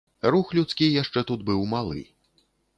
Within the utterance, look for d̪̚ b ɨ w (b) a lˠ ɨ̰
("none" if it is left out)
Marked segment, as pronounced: m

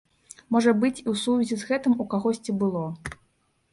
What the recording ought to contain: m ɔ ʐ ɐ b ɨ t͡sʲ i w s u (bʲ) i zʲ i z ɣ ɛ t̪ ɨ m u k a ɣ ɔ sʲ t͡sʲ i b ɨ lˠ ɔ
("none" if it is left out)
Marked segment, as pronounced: vʲ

